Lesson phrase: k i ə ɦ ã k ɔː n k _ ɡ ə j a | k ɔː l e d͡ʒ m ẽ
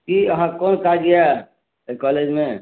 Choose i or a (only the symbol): a